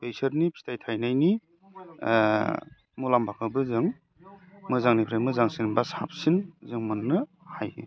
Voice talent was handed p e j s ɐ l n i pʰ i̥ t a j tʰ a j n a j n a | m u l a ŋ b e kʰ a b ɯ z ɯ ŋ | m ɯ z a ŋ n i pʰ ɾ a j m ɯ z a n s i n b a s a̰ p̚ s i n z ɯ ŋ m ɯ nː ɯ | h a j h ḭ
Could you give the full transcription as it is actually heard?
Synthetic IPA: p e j s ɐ ɾ n i pʰ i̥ t a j tʰ a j n a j n i | m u l a m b a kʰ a b ɯ z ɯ ŋ | m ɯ z a ŋ n i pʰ ɾ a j m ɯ z a ŋ s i n b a s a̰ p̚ s i n z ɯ ŋ m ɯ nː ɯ | h a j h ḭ